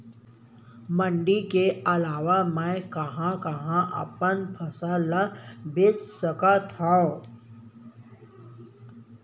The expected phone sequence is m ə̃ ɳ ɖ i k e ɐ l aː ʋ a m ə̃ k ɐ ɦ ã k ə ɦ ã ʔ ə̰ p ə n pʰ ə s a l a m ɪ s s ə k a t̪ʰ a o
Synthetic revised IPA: m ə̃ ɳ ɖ i k e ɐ l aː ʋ a m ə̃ k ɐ ɦ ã k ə ɦ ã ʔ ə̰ p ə n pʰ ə s a l a b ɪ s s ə k a t̪ʰ a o